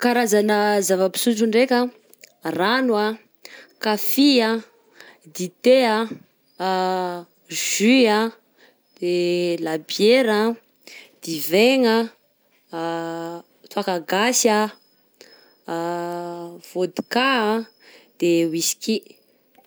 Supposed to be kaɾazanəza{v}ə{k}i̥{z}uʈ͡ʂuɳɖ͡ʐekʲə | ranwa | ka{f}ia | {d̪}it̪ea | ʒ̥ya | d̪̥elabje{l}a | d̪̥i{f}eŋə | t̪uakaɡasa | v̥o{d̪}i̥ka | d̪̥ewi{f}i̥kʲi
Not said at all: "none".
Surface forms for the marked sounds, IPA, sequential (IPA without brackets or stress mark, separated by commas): v, p, s, f, d̪, ɾ, v, d̪, s